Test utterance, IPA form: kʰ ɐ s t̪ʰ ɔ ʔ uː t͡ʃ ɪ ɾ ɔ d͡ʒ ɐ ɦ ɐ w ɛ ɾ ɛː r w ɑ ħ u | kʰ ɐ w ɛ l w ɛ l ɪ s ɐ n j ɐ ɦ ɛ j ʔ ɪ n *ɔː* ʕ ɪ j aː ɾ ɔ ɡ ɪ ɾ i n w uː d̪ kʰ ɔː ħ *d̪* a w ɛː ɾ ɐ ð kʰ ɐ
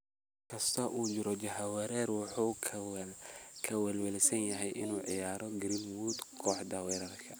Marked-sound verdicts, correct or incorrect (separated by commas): incorrect, correct